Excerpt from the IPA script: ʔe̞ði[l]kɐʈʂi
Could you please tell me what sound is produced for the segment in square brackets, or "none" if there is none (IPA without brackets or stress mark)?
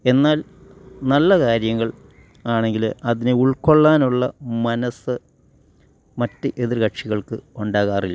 r